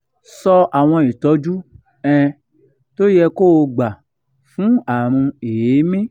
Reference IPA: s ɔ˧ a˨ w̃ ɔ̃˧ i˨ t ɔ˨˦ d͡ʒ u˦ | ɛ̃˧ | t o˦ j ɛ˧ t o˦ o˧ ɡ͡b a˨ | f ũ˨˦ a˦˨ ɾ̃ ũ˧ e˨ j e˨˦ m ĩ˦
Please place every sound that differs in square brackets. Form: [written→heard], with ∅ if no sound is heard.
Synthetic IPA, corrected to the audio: s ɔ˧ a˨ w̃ ɔ̃˧ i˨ t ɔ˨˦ d͡ʒ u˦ | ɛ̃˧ | t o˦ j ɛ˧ [t→k] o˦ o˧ ɡ͡b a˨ | f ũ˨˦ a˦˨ ɾ̃ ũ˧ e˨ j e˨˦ m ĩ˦